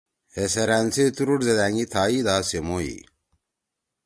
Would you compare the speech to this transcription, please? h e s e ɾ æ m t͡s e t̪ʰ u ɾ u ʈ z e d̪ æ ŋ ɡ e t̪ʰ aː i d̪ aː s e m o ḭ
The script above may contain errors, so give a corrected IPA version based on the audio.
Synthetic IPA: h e s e ɾ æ n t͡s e t̪ u ɾ u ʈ z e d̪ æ ŋ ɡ i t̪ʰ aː i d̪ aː s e m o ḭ